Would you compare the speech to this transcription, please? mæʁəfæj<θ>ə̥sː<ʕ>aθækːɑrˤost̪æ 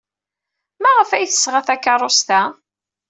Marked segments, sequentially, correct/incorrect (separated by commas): correct, incorrect